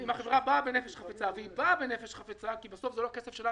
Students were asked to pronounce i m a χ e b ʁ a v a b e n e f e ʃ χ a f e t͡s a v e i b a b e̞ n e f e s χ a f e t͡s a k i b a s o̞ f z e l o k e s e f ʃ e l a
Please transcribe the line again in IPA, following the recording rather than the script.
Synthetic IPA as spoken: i m a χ e v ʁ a b a b e n e f e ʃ χ a f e t͡s a v e i b a b e̞ n e f e ʃ χ a f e t͡s a k i b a s o̞ f z e l o k e s e f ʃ e l a

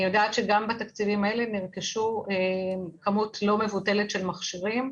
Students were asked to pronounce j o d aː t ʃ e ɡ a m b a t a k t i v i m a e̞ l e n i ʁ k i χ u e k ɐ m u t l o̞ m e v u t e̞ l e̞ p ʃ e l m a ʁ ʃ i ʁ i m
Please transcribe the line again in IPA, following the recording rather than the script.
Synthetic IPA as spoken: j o d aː t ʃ e ɡ a m b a t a k t͡s i v i m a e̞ l e n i ʁ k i ʃ u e k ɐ m u t l o̞ m e v u t e̞ l e̞ t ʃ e l m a χ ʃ i ʁ i m

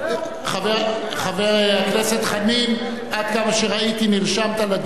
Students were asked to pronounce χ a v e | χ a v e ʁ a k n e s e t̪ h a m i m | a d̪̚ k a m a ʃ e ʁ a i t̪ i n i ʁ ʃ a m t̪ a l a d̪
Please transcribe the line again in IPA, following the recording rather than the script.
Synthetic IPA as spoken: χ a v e | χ a v e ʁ a k n e s e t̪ χ a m i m | a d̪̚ k a m a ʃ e ʁ a i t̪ i n i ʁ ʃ a m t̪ a l a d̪

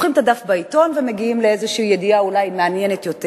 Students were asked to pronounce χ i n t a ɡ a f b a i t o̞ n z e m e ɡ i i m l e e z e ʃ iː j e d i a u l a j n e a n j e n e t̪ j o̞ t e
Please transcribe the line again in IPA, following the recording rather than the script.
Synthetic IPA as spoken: χ i m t a d a f b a i t o̞ n v e m e ɡ i i m l e e z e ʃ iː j e d i a u l a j m e a n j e n e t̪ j o̞ t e

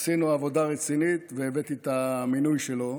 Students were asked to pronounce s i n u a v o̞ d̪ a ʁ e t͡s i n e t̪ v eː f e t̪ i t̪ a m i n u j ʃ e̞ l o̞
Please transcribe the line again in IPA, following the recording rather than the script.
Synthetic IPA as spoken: s i n u a v o̞ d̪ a ʁ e t͡s i n i t̪ v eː v e t̪ i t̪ a m i n u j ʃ e̞ l o̞

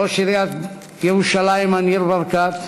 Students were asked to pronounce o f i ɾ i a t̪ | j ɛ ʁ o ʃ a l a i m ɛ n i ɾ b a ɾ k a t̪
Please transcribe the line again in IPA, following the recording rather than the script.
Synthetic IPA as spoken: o ʃ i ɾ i a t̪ | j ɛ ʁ u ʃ a l a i m a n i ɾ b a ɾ k a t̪

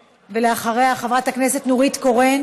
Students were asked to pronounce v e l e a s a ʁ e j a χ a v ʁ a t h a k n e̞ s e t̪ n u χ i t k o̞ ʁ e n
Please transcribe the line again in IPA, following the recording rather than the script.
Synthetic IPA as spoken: v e l e a χ a ʁ e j a χ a v ʁ a t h a k n e̞ s e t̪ n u ʁ i t k o̞ ʁ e n

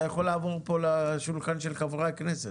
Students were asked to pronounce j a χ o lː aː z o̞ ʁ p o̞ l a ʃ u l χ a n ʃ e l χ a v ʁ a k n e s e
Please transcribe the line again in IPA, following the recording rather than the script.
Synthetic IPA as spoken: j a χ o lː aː v o̞ ʁ p o̞ l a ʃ u l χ a n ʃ e l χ a v ʁ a k n e s e

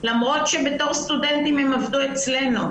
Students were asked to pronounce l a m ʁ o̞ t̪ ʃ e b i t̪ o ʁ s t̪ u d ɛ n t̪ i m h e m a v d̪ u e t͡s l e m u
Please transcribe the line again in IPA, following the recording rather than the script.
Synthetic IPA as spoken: l a m ʁ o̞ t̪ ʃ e b e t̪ o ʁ s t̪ u d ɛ n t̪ i m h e m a v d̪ u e t͡s l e n u

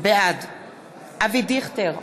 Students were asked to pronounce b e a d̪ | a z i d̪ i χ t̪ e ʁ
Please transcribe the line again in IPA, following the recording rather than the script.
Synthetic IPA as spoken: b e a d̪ | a v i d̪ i χ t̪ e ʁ

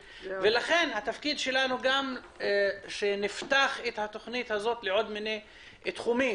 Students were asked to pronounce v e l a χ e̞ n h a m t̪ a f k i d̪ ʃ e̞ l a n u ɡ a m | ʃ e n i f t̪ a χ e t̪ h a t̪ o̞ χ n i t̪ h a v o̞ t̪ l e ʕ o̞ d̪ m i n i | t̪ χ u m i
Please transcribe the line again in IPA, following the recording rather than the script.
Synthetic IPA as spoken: v e l a χ e̞ n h a t̪ a f k i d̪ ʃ e̞ l a n u ɡ a m | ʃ e n i f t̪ a χ e t̪ h a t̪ o̞ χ n i t̪ h a z o̞ t̪ l e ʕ o̞ d̪ m i n e | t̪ χ u m i

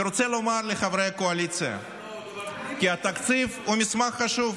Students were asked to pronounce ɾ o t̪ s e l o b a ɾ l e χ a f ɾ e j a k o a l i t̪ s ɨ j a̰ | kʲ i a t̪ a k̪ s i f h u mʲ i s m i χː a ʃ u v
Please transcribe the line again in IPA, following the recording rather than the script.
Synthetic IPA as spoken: ɾ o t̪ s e l o m a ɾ l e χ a v ɾ e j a k o a l i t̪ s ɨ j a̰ | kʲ i a t̪ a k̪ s i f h u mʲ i s m a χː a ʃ u v

